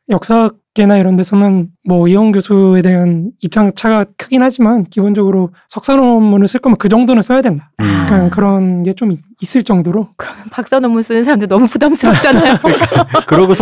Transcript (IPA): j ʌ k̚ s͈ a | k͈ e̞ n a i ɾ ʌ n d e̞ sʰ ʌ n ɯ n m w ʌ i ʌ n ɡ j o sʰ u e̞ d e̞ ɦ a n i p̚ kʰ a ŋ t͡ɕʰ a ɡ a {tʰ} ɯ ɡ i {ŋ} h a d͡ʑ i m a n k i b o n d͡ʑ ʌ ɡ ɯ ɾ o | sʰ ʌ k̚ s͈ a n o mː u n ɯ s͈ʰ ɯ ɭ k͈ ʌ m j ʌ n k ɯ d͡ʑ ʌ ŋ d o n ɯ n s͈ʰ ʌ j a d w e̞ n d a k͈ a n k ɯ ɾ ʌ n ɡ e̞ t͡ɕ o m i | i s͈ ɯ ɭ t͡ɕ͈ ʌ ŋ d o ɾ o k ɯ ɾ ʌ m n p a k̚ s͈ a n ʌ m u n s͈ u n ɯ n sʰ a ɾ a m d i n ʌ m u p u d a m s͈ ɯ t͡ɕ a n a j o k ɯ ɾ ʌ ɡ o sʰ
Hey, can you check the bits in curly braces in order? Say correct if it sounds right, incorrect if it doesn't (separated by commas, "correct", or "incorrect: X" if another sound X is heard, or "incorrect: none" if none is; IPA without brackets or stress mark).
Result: incorrect: kʰ, incorrect: n